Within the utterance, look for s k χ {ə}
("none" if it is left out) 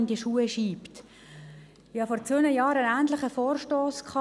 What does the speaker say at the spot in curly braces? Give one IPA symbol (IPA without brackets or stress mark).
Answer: ɑ